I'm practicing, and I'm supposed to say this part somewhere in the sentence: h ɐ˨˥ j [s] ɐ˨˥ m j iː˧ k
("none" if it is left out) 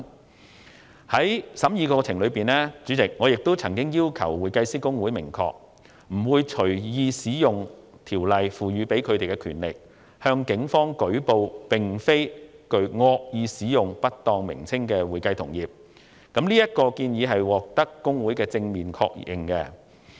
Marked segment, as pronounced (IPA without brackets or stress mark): s